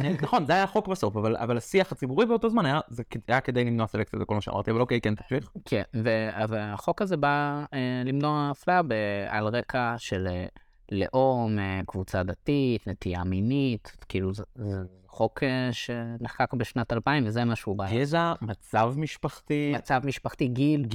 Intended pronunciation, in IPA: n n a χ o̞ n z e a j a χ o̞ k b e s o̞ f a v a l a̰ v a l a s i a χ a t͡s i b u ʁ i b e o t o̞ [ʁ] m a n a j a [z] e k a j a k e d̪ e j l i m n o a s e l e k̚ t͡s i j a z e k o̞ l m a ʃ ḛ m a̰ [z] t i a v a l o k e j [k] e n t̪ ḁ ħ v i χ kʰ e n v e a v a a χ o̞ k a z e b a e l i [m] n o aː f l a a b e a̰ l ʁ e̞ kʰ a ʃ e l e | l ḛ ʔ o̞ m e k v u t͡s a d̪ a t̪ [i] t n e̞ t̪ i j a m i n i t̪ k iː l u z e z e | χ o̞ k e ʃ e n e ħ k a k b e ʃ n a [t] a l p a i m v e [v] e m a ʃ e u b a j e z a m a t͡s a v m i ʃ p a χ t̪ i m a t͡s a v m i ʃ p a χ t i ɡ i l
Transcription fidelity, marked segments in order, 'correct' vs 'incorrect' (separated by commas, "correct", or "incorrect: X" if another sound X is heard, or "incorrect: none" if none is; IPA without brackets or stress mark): incorrect: z, correct, incorrect: ʁ, correct, correct, correct, correct, incorrect: z